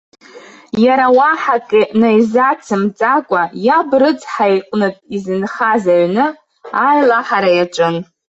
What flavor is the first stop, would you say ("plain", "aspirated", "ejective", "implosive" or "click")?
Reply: ejective